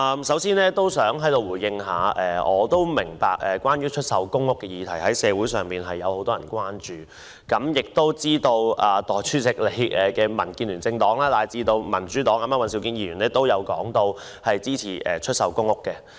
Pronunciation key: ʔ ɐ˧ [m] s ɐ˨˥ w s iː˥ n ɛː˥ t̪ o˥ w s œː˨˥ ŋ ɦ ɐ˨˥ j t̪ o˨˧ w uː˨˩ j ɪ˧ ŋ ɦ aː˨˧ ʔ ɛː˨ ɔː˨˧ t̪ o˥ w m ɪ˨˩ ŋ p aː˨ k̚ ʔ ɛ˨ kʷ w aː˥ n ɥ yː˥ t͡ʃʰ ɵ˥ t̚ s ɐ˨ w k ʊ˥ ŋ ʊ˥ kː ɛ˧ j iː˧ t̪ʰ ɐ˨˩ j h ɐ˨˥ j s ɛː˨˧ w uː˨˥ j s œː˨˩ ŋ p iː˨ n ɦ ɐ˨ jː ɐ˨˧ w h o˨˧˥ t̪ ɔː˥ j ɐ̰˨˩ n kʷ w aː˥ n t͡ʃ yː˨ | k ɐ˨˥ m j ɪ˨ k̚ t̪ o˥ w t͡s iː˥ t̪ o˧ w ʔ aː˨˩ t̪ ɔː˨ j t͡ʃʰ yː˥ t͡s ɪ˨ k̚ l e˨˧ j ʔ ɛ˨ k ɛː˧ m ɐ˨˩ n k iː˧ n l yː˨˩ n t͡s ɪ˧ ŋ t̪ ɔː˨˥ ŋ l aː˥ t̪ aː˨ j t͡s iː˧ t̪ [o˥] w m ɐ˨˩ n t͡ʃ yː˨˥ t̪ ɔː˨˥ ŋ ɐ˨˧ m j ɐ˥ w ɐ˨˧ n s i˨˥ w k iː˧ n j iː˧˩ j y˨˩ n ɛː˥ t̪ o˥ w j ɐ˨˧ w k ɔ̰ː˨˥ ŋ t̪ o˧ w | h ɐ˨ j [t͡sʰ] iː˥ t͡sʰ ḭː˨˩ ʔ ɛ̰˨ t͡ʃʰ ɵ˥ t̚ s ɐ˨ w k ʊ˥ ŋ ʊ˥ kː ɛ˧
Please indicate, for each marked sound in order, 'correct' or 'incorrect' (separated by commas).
correct, incorrect, incorrect